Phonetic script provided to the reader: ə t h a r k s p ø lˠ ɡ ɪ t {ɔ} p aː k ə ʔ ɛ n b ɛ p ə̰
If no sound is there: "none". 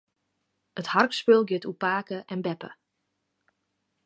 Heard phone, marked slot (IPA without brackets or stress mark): u